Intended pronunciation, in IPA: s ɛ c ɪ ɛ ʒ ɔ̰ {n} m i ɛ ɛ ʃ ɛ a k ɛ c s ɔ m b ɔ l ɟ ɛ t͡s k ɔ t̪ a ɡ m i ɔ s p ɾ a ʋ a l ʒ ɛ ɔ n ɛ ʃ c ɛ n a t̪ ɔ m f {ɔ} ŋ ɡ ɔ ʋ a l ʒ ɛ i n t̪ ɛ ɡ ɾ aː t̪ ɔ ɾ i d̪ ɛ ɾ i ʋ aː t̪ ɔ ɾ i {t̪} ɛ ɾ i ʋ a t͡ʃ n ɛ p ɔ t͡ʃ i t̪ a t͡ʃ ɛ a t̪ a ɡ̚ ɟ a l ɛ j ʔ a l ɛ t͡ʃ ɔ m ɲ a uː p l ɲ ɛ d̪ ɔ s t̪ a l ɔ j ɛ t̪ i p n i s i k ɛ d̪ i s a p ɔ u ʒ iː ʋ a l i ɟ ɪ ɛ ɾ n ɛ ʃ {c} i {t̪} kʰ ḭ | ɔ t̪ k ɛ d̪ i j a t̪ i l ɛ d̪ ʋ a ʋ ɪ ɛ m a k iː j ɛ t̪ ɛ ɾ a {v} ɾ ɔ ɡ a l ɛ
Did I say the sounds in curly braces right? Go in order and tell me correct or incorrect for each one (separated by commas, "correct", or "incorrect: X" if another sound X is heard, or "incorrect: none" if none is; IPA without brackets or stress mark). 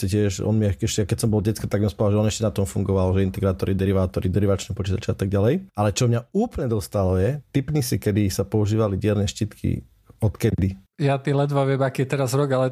correct, incorrect: u, incorrect: d̪, correct, correct, incorrect: z